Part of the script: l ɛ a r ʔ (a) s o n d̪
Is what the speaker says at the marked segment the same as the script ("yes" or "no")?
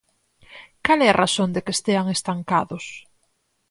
yes